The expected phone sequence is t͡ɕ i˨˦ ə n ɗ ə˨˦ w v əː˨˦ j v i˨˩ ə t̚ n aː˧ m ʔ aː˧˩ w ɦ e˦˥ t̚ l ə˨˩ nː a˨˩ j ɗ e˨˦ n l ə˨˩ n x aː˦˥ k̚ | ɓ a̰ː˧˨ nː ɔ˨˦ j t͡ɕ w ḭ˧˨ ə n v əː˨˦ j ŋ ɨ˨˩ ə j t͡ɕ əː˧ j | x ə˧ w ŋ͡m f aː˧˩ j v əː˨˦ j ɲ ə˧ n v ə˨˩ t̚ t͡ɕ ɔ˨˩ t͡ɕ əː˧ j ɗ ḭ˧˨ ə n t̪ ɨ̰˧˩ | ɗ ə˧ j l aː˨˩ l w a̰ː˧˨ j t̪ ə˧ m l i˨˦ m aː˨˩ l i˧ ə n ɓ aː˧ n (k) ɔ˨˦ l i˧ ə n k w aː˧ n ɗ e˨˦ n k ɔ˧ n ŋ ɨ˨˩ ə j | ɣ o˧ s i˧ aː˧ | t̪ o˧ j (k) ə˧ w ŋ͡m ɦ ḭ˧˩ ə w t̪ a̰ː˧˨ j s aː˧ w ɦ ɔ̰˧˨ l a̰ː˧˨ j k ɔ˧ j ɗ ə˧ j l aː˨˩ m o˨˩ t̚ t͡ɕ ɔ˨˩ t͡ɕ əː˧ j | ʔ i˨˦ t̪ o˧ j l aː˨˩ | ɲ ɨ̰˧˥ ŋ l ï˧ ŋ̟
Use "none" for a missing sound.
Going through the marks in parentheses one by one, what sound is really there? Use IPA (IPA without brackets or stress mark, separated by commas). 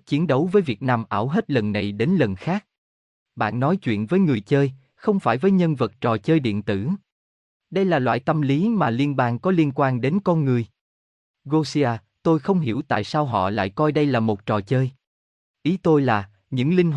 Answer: k, x